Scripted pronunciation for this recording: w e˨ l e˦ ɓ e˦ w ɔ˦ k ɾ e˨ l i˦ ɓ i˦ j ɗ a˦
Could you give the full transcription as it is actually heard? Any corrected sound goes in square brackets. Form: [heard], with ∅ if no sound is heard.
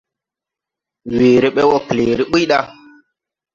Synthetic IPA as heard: w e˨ [ɾ] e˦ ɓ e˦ w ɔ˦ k [l] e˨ [ɾ] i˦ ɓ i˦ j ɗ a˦